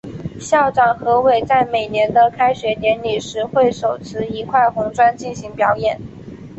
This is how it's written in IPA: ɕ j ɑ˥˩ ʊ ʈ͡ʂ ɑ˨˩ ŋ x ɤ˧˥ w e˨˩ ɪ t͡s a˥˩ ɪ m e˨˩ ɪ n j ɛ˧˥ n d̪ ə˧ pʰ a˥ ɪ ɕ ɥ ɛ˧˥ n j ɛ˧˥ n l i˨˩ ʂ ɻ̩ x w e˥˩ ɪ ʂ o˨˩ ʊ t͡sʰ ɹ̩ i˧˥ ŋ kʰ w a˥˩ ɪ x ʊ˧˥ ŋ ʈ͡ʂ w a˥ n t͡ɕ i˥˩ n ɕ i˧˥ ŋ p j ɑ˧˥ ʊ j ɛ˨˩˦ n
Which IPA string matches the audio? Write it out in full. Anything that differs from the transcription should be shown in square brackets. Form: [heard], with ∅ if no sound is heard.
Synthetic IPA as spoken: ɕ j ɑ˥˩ ʊ ʈ͡ʂ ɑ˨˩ ŋ x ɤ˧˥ w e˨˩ ɪ t͡s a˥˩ ɪ m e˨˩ ɪ n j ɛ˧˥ n d̪ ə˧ [kʰ] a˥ ɪ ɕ ɥ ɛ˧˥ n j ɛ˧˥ n l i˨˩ ʂ ɻ̩ x w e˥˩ ɪ ʂ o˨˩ ʊ t͡sʰ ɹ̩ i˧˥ [∅] kʰ w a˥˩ ɪ x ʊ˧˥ ŋ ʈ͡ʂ w a˥ n t͡ɕ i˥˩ n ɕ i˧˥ ŋ p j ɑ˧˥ ʊ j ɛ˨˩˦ n